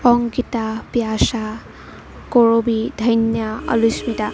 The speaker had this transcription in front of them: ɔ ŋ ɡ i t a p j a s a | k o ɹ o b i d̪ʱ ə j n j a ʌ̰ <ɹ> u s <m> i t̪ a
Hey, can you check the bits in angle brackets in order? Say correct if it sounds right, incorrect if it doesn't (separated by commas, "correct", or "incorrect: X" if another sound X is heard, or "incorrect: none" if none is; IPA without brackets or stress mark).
incorrect: l, correct